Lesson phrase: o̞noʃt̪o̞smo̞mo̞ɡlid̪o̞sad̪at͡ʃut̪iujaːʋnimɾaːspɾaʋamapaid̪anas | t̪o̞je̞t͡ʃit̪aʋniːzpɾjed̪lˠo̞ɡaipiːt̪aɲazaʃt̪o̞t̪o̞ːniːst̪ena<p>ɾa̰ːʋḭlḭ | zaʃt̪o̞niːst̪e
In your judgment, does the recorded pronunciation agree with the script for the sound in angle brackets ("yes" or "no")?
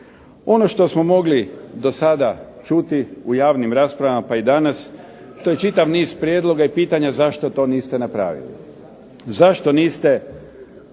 yes